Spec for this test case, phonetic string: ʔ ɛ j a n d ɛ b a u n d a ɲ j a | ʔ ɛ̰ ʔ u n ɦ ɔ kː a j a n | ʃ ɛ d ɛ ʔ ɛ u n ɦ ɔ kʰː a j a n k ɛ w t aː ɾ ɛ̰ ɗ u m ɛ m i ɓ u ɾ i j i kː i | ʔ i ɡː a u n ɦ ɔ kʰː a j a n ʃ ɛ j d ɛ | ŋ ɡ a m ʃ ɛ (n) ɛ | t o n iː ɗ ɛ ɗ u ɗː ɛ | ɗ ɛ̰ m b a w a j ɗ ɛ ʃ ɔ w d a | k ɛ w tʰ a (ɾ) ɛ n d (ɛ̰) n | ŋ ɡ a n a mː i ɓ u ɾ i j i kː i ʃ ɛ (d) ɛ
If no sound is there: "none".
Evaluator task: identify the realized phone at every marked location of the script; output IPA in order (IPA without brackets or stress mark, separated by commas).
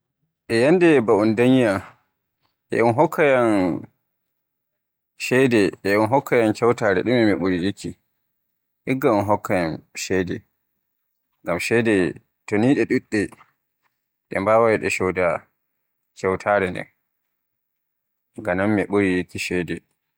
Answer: d, ɾ, ɛ̰, d